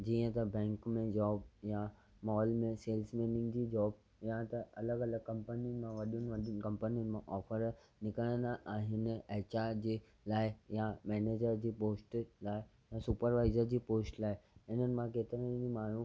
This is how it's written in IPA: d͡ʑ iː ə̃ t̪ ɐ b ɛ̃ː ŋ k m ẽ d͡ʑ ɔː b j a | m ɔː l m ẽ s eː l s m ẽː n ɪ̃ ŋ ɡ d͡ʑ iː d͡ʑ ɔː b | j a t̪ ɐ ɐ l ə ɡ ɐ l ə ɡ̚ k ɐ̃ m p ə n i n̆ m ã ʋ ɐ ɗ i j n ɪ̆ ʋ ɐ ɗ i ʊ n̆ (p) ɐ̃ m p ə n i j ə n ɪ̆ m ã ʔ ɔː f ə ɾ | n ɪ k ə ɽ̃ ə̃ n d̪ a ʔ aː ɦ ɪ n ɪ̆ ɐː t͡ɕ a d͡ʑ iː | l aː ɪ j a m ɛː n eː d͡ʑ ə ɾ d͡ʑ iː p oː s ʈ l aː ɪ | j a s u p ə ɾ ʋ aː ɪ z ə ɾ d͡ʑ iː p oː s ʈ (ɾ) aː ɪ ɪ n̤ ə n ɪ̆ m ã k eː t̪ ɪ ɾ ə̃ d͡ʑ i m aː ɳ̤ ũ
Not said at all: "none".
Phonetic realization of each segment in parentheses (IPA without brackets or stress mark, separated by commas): k, l